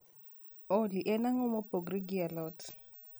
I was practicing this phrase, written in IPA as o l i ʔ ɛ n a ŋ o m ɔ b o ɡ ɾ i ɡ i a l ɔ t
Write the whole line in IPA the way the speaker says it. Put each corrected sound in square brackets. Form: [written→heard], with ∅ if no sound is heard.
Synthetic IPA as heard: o l i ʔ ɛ n a ŋ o m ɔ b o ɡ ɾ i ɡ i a l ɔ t